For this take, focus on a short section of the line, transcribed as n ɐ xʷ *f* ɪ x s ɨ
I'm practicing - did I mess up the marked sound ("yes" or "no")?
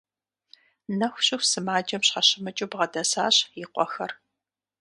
yes